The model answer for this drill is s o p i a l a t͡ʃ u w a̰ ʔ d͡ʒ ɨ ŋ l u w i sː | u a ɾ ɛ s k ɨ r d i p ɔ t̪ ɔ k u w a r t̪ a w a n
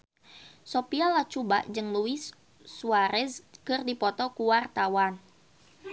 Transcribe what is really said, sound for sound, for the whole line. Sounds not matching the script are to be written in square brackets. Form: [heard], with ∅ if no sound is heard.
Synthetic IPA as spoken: s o p i a l a t͡ʃ u [b] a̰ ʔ d͡ʒ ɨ ŋ l u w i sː | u a ɾ ɛ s k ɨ r d i p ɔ t̪ ɔ k u w a r t̪ a w a n